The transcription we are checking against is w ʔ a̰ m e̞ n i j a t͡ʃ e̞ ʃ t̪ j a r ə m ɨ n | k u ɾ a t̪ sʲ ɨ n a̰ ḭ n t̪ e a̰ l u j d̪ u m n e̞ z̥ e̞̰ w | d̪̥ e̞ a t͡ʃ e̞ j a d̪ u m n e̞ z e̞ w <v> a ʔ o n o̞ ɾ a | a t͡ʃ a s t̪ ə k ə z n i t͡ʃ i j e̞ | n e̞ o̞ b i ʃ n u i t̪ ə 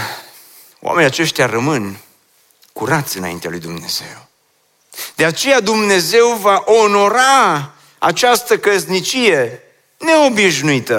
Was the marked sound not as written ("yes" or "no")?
no